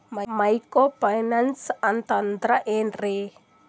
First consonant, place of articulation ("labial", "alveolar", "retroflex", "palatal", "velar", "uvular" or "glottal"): labial